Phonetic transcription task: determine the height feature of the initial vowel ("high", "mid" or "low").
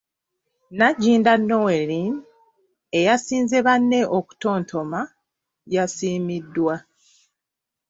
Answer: low